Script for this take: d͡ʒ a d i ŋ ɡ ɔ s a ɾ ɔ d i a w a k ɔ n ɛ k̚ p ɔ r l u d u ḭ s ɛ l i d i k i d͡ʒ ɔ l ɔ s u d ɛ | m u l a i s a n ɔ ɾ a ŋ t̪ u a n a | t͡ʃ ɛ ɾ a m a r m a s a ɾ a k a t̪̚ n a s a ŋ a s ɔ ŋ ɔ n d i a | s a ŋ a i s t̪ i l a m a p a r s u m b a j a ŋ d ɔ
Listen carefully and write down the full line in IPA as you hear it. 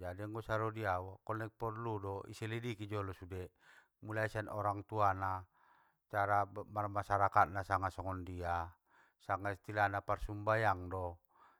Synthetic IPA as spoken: d͡ʒ a d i ŋ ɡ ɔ s a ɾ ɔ d i a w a k ɔ n ɛ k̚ p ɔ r l u d ɔ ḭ s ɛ l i d i k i d͡ʒ ɔ l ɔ s u d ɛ | m u l a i s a n ɔ ɾ a ŋ t̪ u a n a | t͡ʃ a ɾ a m a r m a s a ɾ a k a t̪̚ n a s a ŋ a s ɔ ŋ ɔ n d i a | s a ŋ a i s t̪ i l a n a p a r s u m b a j a ŋ d ɔ